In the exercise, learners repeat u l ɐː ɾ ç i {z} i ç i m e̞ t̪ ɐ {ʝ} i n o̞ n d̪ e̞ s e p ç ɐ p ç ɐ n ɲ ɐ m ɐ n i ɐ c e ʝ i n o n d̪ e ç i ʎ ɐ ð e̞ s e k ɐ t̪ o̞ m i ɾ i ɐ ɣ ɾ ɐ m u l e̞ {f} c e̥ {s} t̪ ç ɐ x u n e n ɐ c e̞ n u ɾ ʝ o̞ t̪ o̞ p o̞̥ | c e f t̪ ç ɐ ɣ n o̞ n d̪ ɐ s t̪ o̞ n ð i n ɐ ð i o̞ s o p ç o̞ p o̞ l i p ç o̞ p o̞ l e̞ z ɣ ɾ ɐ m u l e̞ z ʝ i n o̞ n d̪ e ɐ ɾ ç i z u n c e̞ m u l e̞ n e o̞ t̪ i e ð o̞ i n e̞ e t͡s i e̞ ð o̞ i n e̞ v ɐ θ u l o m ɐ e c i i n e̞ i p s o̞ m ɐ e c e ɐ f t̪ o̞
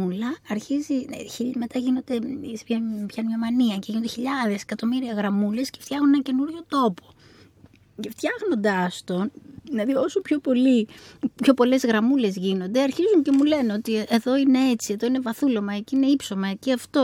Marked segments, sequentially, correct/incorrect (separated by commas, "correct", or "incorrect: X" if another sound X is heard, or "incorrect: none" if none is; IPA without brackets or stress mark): correct, correct, incorrect: s, incorrect: f